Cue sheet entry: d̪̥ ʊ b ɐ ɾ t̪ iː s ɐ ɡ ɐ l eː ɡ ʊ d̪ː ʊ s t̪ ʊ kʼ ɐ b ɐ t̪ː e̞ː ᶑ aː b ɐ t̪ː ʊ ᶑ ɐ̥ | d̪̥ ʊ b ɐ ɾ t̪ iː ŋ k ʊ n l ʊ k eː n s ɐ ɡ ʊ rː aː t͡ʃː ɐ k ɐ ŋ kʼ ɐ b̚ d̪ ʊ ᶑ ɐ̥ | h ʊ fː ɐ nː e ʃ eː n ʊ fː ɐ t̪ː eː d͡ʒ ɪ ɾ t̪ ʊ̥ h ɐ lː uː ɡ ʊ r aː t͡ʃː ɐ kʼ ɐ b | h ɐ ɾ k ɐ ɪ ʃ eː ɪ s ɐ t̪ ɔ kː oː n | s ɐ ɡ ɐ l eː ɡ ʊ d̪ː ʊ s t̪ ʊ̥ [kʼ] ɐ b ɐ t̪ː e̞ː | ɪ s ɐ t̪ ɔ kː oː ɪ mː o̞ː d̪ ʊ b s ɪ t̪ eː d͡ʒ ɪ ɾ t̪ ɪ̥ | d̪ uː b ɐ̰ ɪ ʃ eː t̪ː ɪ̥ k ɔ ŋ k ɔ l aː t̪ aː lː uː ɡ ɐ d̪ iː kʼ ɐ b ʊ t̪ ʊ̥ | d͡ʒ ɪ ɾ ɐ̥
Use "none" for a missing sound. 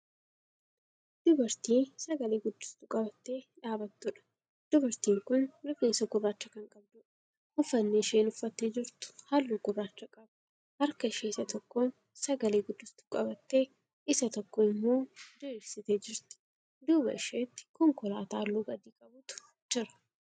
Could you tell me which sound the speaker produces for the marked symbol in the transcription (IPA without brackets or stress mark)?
kʼ